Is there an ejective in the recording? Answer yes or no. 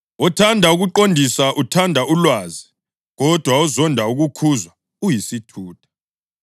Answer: no